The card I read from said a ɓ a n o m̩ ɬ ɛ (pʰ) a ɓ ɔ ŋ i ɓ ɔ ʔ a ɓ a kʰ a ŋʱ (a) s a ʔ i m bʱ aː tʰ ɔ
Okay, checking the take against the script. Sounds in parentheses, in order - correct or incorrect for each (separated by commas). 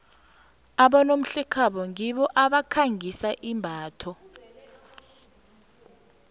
incorrect, incorrect